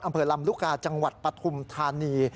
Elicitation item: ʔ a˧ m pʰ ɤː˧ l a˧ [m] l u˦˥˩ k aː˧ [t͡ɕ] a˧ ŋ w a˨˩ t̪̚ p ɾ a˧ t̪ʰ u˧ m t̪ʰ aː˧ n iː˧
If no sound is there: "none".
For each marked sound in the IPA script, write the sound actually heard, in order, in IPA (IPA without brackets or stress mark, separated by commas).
m, t͡ɕ